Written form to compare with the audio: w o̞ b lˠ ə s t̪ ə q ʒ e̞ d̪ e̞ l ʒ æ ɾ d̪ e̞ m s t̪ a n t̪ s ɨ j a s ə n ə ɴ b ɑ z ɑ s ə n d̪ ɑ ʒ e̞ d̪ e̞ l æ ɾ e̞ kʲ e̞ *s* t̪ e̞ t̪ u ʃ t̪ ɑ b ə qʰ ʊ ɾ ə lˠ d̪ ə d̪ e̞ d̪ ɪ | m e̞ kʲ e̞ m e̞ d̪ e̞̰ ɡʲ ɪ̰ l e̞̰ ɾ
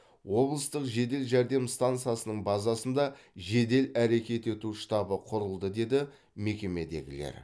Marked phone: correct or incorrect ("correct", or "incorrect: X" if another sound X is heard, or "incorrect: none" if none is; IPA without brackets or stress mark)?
incorrect: none